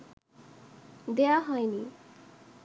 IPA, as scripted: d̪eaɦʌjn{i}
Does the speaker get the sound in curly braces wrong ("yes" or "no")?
no